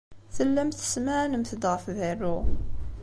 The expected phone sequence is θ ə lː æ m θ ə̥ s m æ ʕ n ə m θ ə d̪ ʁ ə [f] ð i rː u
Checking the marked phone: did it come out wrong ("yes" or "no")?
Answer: no